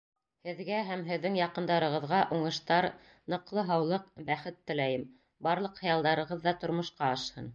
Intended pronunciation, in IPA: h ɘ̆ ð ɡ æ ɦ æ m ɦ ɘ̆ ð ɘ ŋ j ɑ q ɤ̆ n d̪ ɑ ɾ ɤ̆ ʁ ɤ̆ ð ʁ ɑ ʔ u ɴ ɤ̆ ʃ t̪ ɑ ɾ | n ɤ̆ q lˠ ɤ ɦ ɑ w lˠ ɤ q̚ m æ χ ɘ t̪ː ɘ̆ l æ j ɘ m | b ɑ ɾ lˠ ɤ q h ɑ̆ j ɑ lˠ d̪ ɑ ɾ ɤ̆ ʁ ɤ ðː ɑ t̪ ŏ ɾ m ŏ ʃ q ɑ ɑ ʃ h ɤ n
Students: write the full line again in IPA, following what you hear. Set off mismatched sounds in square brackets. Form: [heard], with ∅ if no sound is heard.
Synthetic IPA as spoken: h ɘ̆ ð ɡ æ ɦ æ m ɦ ɘ̆ [ðː] ɘ ŋ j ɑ q ɤ̆ n d̪ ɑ ɾ ɤ̆ ʁ ɤ̆ ð ʁ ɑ ʔ u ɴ ɤ̆ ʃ t̪ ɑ ɾ | n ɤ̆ q lˠ ɤ ɦ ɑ w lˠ ɤ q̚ [b] æ χ ɘ t̪ː ɘ̆ l æ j ɘ m | b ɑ ɾ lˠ ɤ q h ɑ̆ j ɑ lˠ d̪ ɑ ɾ ɤ̆ ʁ ɤ ðː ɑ t̪ ŏ ɾ m ŏ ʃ q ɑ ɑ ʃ h ɤ n